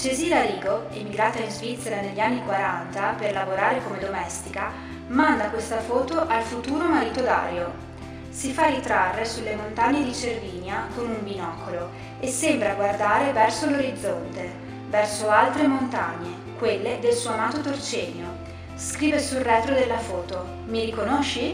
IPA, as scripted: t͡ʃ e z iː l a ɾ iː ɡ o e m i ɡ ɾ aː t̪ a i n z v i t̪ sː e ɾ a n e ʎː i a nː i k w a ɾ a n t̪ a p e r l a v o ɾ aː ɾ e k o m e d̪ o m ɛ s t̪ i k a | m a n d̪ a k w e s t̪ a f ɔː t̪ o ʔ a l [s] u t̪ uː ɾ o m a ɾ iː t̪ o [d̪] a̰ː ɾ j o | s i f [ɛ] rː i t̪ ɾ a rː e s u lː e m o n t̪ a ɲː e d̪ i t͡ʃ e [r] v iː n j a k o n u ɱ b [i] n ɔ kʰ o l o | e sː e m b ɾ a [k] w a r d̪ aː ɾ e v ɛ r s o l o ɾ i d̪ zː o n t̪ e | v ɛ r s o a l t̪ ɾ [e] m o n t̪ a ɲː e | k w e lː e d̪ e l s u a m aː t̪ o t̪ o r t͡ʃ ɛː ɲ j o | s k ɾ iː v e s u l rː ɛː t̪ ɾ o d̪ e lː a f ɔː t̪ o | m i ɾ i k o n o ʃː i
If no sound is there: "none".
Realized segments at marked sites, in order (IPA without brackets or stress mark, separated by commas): f, d̪, a, r, i, ɡ, e